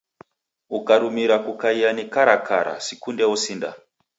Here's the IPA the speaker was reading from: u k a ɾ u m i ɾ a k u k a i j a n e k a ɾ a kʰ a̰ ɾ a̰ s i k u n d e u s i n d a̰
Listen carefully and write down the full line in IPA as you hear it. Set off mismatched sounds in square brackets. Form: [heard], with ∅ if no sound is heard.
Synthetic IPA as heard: u k a ɾ u m i ɾ a k u k a i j a n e k a ɾ a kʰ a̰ ɾ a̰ s i k u n d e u s i n d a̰